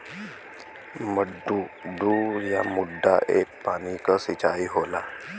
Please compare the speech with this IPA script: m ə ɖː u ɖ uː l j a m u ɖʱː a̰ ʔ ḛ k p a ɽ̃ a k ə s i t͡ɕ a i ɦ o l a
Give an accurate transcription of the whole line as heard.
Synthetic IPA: m ə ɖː u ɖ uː ɾ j a m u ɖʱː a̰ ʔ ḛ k p a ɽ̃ i k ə s i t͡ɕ a i ɦ o l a